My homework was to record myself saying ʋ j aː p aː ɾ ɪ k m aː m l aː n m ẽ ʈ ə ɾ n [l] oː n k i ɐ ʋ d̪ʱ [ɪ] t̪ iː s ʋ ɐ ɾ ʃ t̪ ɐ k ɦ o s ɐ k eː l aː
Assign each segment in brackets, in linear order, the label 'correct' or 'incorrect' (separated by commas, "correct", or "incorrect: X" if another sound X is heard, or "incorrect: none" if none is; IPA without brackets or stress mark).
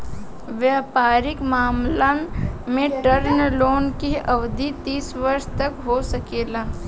correct, incorrect: i